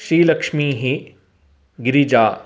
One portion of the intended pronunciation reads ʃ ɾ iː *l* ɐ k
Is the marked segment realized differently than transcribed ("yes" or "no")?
no